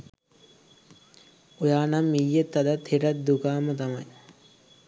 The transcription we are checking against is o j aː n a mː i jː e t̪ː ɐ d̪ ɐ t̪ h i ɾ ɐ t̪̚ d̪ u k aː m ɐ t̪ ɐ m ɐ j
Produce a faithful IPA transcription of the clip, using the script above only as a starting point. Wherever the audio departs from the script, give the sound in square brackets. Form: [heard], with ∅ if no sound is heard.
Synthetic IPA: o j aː n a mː i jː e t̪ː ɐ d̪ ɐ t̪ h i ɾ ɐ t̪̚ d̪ u k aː m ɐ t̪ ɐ m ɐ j